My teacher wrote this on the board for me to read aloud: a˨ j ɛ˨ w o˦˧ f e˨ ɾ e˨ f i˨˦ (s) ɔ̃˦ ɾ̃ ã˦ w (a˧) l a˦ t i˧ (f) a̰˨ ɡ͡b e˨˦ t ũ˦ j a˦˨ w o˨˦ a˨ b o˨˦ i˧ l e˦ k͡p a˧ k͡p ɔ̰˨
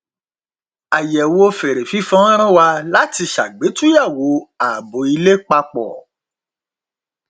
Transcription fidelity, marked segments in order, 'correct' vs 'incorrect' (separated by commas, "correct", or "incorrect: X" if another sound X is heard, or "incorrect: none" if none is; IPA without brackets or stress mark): incorrect: f, correct, incorrect: ʃ